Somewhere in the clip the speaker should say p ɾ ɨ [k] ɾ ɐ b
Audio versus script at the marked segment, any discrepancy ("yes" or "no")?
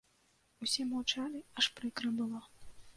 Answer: no